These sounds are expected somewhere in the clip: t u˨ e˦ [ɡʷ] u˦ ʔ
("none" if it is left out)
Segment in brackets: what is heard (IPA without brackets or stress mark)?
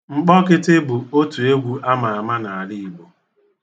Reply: ɡʷ